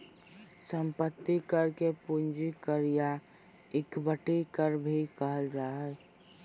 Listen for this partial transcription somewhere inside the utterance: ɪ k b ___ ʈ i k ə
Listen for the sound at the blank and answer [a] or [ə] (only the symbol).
ə